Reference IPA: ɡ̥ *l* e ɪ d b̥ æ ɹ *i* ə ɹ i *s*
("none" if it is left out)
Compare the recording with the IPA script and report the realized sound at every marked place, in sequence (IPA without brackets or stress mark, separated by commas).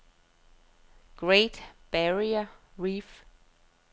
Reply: ɹ, i, f